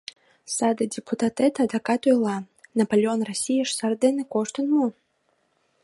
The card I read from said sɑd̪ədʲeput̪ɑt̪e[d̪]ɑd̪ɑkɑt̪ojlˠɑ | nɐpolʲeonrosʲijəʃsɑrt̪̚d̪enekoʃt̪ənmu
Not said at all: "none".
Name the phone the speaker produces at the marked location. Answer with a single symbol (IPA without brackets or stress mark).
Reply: t̪